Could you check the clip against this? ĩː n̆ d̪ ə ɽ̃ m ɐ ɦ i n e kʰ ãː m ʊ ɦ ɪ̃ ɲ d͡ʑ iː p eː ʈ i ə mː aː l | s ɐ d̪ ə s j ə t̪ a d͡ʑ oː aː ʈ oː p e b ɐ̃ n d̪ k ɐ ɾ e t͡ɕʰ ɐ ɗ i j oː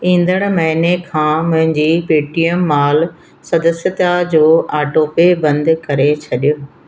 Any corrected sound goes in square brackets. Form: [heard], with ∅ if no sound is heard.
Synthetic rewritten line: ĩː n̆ d̪ ə ɽ̃ m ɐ ɦ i n e kʰ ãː m [ʊ̃] ɦ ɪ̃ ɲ d͡ʑ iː p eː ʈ i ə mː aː l | s ɐ d̪ ə s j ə t̪ a d͡ʑ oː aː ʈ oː p e b ɐ̃ n d̪ k ɐ ɾ e t͡ɕʰ ɐ ɗ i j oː